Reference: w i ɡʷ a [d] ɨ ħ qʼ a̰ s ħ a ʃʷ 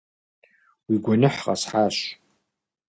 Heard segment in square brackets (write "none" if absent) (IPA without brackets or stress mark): n